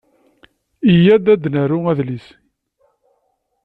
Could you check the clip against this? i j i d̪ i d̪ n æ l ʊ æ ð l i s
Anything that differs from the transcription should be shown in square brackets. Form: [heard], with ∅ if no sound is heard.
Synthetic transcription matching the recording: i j [æ] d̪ [æ] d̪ n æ [ɾ] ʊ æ ð l i s